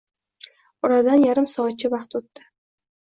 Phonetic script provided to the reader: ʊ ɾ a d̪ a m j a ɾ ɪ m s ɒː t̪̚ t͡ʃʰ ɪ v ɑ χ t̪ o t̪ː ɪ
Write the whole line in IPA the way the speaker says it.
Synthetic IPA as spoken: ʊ ɾ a d̪ a n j a ɾ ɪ m s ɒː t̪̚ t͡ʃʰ ɪ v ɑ χ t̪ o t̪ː ɪ